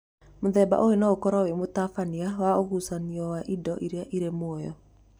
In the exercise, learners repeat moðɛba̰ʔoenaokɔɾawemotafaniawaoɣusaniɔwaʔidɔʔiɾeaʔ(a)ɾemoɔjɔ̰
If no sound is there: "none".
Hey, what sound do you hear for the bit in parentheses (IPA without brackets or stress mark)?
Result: i